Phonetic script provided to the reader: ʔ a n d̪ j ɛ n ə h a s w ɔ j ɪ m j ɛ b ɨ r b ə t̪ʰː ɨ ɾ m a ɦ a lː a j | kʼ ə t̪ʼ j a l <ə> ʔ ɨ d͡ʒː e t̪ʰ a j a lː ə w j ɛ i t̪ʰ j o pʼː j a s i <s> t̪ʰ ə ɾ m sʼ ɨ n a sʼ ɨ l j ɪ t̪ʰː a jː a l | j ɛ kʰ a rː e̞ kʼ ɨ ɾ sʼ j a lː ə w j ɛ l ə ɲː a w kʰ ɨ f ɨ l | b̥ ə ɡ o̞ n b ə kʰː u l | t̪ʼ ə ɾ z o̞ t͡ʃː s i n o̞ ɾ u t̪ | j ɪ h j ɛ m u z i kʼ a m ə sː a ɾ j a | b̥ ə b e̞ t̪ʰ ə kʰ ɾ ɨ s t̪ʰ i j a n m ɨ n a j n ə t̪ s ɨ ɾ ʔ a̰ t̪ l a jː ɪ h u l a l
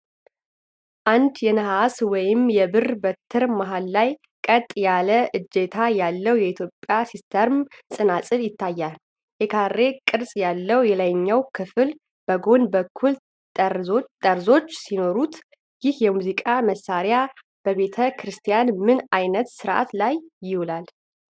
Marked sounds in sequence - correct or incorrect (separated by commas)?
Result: correct, correct